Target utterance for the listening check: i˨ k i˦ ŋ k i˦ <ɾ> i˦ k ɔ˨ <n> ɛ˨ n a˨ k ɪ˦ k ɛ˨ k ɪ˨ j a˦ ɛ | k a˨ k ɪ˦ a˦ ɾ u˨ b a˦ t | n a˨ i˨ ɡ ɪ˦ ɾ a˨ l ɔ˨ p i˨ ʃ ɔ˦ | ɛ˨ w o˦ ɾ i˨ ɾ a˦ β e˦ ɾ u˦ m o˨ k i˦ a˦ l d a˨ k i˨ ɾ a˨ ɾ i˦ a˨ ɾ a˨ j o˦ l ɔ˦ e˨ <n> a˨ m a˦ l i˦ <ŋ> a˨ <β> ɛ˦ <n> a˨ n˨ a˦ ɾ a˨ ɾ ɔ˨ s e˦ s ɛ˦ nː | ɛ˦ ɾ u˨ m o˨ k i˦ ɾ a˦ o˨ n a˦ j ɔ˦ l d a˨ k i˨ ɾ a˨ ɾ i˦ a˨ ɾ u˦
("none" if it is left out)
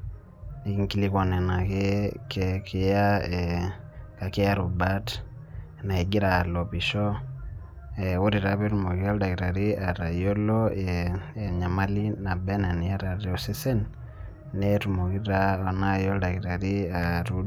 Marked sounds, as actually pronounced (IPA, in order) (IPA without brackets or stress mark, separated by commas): l, n, ɲ, n, b, n